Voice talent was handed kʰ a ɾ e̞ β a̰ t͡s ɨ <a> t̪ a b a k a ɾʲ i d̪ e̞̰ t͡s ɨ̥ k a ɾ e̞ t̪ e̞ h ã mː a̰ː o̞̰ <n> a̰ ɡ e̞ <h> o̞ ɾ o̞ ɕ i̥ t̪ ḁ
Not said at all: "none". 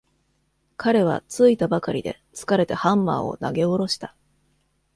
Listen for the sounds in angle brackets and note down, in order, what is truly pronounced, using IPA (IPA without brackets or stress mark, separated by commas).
i, n, none